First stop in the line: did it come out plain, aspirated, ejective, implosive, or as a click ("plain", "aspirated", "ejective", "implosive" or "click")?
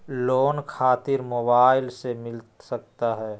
aspirated